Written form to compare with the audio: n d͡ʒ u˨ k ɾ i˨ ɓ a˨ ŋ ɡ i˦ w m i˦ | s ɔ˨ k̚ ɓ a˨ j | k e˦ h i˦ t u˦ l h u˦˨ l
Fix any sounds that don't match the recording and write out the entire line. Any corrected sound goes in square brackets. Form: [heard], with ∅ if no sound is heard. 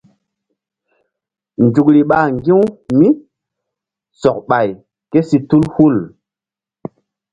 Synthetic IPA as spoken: n d͡ʒ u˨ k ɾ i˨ ɓ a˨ ŋ ɡ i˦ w m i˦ | s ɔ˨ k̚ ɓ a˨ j | k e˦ [s] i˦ t u˦ l h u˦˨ l